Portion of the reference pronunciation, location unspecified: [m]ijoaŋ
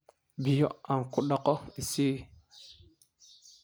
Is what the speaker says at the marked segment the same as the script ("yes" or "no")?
no